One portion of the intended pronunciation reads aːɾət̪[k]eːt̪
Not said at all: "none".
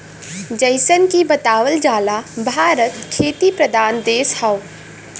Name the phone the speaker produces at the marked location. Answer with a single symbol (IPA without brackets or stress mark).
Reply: kʰ